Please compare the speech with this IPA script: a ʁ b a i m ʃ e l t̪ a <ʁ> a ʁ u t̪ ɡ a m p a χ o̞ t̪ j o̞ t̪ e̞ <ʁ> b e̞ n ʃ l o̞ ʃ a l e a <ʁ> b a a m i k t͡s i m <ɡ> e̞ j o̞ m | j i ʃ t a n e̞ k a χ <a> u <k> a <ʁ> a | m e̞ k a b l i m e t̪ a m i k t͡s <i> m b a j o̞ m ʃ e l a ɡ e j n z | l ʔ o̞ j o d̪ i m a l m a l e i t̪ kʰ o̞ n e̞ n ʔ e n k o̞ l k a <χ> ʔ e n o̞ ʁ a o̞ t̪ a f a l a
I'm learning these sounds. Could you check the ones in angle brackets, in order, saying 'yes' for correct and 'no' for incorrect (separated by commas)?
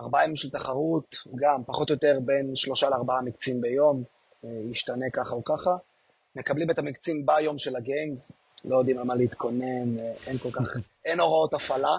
no, yes, yes, no, yes, yes, no, yes, yes